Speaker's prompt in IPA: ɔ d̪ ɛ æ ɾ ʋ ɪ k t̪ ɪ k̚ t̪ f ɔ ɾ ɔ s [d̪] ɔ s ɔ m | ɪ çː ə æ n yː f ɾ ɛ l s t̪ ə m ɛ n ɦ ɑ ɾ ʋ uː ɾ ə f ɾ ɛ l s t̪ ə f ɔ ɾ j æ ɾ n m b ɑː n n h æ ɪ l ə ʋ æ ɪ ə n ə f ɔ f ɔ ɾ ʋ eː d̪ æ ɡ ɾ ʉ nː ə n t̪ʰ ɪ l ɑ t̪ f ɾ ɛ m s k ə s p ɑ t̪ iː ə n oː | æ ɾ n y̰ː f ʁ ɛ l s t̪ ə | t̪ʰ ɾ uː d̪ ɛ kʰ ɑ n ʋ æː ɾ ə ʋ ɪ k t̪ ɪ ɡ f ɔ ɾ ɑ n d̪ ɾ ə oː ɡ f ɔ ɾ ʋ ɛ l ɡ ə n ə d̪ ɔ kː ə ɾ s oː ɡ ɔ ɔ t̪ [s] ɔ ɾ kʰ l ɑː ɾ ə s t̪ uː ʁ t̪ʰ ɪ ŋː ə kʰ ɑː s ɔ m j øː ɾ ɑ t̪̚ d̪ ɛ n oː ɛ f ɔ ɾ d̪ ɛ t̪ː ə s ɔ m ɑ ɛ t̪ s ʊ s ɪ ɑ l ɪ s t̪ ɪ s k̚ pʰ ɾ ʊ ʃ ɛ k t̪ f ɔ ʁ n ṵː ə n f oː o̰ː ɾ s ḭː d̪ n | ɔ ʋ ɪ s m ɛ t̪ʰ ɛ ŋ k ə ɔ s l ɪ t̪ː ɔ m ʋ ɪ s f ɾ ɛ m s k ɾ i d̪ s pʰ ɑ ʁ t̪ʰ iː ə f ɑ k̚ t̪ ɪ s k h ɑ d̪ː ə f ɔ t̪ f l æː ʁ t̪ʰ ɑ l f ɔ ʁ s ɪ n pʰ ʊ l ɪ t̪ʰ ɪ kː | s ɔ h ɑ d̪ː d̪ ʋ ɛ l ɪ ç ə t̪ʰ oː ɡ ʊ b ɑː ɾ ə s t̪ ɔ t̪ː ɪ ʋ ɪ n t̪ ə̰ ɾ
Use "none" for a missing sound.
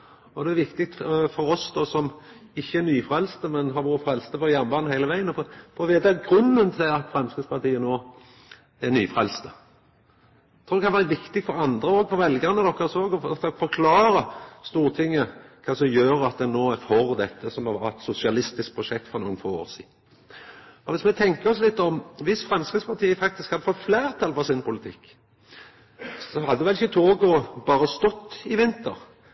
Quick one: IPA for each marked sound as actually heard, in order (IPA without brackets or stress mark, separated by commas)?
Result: d̪, f